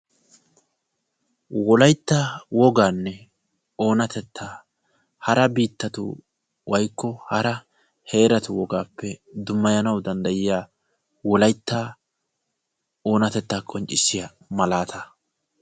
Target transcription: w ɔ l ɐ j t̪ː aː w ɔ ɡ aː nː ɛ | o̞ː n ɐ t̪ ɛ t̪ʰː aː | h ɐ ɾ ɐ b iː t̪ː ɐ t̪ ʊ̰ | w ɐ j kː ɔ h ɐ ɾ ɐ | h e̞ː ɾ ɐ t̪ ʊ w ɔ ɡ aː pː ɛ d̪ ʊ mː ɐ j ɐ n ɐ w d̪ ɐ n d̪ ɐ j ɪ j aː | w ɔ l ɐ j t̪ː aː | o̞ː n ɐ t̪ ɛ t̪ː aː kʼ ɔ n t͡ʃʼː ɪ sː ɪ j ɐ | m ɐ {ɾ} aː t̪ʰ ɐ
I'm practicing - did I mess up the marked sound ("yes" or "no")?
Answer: yes